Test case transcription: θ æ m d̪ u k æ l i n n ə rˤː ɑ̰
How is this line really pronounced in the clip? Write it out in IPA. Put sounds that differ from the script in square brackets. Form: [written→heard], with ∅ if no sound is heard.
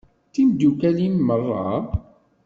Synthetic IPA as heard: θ [æ→i] m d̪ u k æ l i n [n→m] ə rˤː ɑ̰

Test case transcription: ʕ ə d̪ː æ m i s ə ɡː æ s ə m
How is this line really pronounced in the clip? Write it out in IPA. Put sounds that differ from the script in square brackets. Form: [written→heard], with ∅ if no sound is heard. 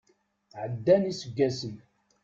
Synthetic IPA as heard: ʕ ə d̪ː æ [m→n] i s ə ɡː æ s ə [m→n]

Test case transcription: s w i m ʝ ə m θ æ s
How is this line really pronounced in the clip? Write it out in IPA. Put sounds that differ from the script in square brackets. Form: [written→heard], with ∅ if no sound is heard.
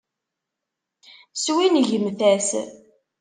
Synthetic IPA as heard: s w i [m→n] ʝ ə m θ æ s

